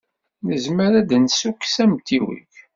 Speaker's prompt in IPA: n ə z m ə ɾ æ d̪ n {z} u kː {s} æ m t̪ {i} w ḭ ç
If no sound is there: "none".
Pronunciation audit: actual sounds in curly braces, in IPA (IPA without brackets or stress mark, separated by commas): s, s, i